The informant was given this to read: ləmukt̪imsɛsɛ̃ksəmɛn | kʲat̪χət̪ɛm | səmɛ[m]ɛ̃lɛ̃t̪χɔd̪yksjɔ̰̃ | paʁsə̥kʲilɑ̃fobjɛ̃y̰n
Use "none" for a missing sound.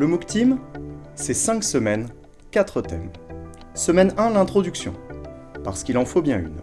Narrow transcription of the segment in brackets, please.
n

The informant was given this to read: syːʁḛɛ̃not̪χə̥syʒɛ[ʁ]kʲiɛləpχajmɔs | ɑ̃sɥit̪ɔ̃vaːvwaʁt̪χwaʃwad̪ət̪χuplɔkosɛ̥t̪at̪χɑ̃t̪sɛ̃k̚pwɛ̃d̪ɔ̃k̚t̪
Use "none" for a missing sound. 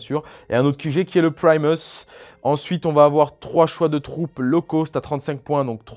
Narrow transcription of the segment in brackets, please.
none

